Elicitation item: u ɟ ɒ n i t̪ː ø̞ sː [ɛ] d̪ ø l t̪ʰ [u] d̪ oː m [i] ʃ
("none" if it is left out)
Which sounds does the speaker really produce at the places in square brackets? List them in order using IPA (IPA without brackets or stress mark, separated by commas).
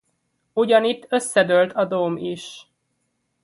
ɛ, ɒ, i